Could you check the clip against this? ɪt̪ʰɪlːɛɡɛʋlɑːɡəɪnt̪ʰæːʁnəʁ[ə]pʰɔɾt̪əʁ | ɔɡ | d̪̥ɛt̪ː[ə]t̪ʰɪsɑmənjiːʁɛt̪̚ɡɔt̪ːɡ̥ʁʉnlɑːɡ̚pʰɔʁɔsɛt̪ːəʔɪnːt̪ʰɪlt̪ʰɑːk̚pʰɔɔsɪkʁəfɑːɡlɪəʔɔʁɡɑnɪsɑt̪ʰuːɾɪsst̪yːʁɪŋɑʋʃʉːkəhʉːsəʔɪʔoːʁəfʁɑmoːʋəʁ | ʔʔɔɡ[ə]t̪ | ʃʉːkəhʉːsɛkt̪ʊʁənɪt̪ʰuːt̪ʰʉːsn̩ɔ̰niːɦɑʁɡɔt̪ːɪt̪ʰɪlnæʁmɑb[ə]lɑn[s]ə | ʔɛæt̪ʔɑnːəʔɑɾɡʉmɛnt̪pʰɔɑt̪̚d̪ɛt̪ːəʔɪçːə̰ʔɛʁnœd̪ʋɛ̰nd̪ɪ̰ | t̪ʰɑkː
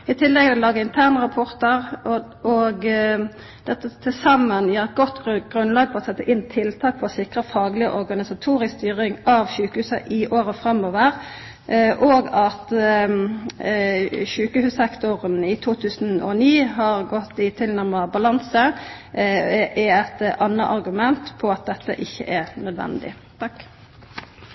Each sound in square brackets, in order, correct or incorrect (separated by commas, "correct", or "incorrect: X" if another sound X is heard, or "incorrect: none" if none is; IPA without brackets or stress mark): incorrect: ɑ, correct, incorrect: ɑ, incorrect: ɑ, correct